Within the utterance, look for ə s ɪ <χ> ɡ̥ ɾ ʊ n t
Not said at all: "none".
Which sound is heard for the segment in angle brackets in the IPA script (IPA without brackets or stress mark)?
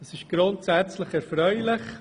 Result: ʃ